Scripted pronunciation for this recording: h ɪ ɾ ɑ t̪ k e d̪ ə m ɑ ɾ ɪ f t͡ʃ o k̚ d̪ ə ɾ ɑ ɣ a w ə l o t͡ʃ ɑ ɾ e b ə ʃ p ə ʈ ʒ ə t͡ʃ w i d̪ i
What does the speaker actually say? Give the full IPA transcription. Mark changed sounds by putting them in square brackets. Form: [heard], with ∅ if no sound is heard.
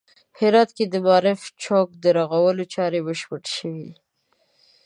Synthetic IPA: h ɪ ɾ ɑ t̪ k e d̪ ə m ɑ ɾ ɪ f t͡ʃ o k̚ d̪ ə ɾ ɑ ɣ a w ə l o t͡ʃ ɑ ɾ e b ə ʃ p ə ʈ [ʃ] ə [∅] w i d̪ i